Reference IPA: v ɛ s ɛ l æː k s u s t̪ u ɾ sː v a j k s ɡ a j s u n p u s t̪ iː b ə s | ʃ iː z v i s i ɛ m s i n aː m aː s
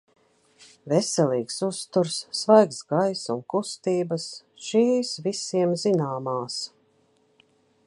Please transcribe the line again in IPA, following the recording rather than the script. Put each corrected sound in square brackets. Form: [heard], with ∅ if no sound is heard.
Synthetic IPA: v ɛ s ɛ l [iː] k s u s t̪ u ɾ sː v a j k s ɡ a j s u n [k] u s t̪ iː b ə s | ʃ iː [s] v i s i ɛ m [z] i n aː m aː s